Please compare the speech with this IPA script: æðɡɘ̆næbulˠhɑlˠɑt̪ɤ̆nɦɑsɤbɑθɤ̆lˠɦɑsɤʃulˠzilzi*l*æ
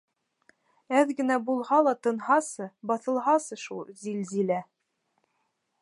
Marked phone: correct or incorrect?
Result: correct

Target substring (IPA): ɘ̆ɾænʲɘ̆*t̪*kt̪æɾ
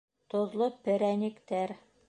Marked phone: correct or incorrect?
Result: incorrect: none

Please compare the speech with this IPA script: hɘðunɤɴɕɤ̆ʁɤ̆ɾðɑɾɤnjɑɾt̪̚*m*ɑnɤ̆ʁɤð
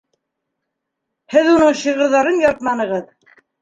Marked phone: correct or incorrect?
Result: correct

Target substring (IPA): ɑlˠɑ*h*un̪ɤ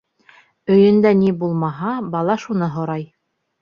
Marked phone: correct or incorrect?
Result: incorrect: ʃ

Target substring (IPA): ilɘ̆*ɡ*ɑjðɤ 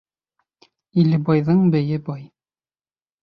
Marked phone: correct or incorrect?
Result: incorrect: b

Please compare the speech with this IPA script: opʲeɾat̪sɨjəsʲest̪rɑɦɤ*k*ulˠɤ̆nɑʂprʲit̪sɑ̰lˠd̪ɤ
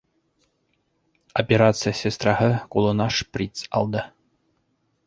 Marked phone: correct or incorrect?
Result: correct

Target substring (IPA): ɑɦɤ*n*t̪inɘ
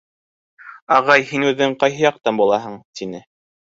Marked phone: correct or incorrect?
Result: incorrect: ɴ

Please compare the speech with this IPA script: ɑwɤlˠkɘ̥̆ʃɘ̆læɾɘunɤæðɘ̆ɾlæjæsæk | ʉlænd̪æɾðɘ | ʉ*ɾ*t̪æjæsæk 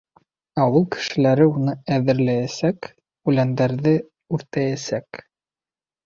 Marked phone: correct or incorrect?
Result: correct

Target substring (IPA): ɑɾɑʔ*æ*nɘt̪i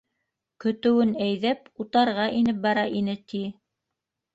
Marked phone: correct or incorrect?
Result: incorrect: i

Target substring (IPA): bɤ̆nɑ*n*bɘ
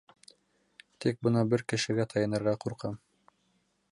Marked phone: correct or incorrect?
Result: incorrect: none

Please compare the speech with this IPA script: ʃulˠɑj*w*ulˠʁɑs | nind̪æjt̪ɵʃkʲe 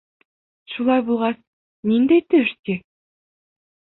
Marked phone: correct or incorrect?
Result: incorrect: b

